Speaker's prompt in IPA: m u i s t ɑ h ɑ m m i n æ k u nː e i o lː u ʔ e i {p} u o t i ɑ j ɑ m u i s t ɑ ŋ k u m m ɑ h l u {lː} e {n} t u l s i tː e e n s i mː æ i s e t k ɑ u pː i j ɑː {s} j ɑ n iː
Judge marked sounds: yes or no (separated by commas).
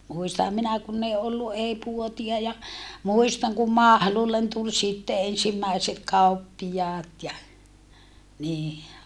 yes, yes, yes, no